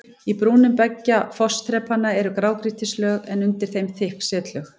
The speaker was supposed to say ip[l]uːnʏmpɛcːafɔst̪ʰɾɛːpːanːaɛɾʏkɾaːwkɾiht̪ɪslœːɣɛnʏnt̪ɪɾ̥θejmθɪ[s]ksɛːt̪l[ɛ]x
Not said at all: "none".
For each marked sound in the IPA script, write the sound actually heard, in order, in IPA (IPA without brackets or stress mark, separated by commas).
ɾ, h, œ